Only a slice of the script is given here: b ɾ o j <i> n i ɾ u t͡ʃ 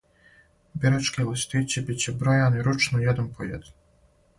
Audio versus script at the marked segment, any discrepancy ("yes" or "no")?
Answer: yes